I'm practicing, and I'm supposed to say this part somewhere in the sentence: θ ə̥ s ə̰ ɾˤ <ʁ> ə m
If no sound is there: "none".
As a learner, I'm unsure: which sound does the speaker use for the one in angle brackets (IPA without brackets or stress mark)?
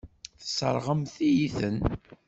ʁ